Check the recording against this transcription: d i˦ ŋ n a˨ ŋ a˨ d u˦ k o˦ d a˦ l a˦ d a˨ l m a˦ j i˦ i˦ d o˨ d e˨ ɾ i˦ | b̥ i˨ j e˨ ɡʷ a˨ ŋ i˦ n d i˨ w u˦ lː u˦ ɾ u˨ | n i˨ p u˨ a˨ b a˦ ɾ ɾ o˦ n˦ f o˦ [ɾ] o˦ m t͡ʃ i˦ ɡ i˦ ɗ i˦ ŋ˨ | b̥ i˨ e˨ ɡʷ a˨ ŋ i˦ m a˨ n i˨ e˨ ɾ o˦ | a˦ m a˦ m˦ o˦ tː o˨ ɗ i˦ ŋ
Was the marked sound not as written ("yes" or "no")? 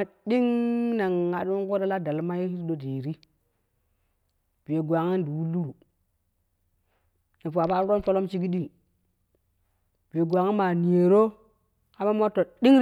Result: yes